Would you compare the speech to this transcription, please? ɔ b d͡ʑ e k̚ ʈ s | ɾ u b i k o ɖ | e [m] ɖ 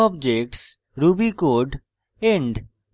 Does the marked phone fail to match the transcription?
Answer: yes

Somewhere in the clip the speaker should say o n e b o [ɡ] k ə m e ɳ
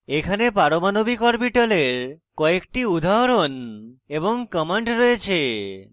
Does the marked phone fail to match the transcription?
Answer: yes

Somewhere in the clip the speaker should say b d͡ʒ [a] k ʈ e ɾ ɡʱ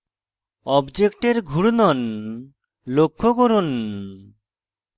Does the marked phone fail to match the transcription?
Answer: yes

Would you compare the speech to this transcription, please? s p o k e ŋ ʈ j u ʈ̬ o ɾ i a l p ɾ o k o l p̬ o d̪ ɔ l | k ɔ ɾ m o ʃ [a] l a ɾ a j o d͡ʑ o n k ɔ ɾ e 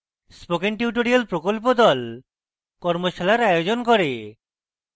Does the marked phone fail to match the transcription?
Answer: no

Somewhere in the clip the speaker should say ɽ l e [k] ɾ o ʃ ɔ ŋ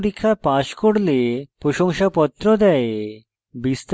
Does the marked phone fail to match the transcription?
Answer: yes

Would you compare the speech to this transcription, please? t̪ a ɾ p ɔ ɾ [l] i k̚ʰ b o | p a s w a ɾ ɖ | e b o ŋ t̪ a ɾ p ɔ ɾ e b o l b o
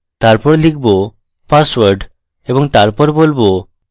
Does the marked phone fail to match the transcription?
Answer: no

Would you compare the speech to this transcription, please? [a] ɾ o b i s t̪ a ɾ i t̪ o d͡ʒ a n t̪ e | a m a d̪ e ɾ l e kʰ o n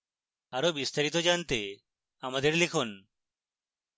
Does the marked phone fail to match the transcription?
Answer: no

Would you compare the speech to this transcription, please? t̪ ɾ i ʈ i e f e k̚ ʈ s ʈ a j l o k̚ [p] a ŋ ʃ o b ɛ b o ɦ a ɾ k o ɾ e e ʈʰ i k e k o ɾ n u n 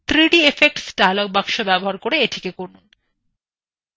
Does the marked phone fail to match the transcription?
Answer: yes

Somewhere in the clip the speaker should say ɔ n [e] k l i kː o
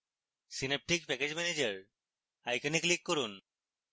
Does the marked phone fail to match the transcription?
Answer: yes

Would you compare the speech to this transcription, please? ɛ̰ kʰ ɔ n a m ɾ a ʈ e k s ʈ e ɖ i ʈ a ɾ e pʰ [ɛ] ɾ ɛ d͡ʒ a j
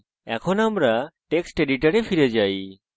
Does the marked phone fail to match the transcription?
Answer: yes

